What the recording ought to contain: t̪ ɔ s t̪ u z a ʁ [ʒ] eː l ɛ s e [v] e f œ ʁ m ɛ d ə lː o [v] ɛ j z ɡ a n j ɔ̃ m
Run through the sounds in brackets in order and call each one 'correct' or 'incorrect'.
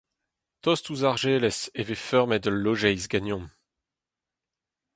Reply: correct, correct, incorrect: ʒ

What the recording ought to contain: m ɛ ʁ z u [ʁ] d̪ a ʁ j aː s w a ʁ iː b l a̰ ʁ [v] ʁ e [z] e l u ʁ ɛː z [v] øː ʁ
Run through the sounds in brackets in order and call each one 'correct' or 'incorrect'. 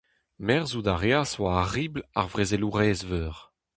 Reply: incorrect: none, correct, correct, correct

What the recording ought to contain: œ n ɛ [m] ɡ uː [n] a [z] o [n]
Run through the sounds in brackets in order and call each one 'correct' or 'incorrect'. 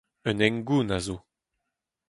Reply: incorrect: ŋ, correct, correct, incorrect: none

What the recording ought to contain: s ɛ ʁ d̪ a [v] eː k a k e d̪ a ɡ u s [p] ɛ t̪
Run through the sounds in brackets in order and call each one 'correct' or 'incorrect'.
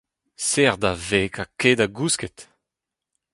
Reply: correct, incorrect: k

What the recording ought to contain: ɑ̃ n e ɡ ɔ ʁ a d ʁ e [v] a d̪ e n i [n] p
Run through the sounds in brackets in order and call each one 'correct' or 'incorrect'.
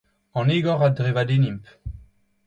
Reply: correct, incorrect: m

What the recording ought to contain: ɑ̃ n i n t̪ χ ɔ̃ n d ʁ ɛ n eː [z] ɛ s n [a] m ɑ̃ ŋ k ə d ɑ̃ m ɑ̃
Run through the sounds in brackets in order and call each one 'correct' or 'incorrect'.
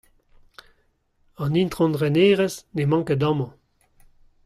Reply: incorrect: ʁ, incorrect: e

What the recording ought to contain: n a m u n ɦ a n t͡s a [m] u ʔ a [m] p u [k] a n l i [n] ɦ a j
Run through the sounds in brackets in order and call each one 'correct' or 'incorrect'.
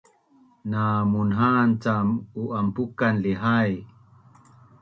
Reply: correct, correct, correct, incorrect: none

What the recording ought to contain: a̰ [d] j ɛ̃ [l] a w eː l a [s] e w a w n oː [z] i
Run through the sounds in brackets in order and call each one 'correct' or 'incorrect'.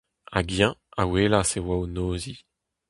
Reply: incorrect: ɡ, incorrect: none, correct, correct

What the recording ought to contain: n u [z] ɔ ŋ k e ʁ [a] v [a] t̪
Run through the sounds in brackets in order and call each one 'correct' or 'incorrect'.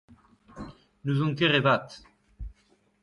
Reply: correct, incorrect: e, correct

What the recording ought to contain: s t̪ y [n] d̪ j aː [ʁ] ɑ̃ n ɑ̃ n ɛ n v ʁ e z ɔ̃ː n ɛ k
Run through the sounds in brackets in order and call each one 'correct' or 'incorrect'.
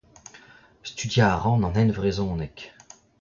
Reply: incorrect: none, correct

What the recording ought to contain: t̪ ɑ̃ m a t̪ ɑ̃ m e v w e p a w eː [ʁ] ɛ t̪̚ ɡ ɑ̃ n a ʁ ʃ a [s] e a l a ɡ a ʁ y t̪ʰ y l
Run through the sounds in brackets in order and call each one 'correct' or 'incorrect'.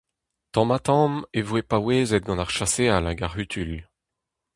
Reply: incorrect: z, correct

